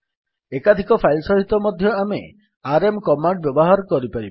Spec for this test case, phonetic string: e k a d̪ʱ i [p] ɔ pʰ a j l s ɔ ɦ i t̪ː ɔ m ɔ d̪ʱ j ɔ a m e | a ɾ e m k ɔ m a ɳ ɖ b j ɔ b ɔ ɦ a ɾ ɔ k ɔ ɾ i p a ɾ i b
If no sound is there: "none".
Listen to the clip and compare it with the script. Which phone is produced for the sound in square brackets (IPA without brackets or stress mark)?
k